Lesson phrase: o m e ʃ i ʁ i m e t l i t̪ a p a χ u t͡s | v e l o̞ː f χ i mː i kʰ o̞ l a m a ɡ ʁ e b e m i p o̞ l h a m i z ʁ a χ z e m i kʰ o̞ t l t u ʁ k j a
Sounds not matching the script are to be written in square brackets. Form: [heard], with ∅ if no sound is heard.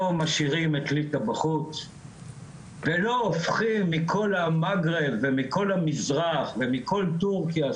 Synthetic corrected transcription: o m [a] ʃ i ʁ i m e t l i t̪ a [b] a χ u t͡s | v e l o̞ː f χ i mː i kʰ o̞ l a m a ɡ ʁ e [v] e m i [k] o̞ l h a m i z ʁ a χ [v] e m i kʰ o̞ [∅] l t u ʁ k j a